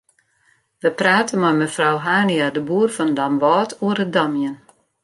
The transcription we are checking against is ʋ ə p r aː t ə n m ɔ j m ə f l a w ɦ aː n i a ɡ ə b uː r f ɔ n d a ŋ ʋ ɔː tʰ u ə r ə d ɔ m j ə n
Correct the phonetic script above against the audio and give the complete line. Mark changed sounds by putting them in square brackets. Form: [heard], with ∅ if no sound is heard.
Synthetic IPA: ʋ ə p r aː t ə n m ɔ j m ə f [r] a w ɦ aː n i a [d] ə b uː r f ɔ n d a [m] ʋ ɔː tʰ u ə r ə d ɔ m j ə n

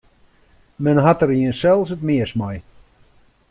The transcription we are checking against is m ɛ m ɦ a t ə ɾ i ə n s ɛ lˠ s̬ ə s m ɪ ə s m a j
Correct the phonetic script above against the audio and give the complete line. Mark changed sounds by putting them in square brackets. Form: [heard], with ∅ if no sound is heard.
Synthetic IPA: m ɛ [n] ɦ a t ə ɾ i ə n s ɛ lˠ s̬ ə [t] m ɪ ə s m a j

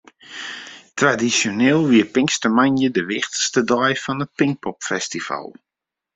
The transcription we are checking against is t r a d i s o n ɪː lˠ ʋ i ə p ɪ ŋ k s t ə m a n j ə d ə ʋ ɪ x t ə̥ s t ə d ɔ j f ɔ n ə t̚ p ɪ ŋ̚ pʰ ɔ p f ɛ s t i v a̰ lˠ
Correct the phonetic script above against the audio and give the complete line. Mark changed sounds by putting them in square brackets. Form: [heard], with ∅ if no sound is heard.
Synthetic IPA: t r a d i s o n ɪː lˠ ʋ i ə p ɪ ŋ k s t ə m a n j ə d ə ʋ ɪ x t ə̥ s t ə d ɔ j f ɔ n ə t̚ p ɪ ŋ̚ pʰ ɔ p f ɛ s t i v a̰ lˠ

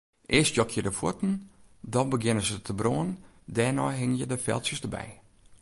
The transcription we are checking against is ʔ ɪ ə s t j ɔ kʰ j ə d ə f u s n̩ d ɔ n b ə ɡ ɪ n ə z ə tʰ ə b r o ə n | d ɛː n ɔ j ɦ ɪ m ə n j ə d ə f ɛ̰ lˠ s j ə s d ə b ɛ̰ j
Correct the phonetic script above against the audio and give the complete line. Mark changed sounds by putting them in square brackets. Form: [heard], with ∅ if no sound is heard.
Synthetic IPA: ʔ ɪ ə s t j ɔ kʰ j ə d ə f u [t] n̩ d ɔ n b ə ɡ ɪ n ə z ə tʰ ə b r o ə n | d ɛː n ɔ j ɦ ɪ [ŋ] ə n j ə d ə f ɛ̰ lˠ s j ə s d ə b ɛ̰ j

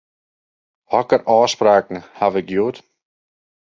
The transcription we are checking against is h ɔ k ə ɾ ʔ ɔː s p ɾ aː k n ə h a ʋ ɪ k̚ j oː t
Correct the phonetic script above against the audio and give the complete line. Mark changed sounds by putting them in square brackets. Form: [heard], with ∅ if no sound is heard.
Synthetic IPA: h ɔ k ə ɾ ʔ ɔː s p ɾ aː k n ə h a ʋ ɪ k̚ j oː t

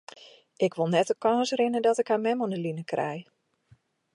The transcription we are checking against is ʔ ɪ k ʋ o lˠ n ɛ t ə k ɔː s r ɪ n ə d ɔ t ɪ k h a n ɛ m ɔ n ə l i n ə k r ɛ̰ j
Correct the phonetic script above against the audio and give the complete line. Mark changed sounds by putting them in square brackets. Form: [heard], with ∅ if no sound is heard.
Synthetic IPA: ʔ ɪ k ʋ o lˠ n ɛ t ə k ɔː s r ɪ n ə d ɔ t ɪ k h a [m] ɛ m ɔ n ə l i n ə k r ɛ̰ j

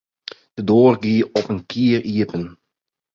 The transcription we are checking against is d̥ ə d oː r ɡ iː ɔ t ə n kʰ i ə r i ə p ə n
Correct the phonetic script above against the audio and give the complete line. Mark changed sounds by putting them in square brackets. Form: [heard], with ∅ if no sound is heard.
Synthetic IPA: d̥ ə d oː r ɡ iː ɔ [p] ə n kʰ i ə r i ə p ə n

